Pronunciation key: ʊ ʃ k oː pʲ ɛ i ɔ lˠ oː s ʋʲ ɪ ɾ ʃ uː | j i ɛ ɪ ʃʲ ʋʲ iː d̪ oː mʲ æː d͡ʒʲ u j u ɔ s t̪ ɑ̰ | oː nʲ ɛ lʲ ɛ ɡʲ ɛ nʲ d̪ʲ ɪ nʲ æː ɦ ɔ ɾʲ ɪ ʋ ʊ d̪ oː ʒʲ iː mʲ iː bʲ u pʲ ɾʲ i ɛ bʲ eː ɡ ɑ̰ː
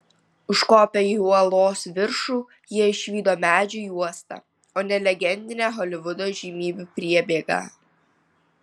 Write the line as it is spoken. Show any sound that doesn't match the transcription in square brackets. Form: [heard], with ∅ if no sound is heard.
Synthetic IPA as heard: ʊ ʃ k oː pʲ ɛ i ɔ lˠ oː s ʋʲ ɪ ɾ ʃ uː | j i ɛ ɪ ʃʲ ʋʲ iː d̪ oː mʲ æː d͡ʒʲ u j u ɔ s t̪ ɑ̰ | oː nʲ ɛ lʲ ɛ ɡʲ ɛ nʲ d̪ʲ ɪ nʲ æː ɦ ɔ [lʲ] ɪ ʋ ʊ d̪ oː ʒʲ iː mʲ iː bʲ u pʲ ɾʲ i ɛ bʲ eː ɡ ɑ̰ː